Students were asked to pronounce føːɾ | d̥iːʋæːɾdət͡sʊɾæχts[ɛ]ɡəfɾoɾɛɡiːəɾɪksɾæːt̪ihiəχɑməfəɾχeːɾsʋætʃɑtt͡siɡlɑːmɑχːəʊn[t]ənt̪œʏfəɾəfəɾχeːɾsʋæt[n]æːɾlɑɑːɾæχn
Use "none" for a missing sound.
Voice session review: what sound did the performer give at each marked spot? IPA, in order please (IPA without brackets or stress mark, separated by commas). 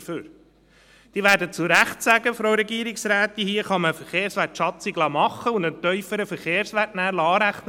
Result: æ, d, n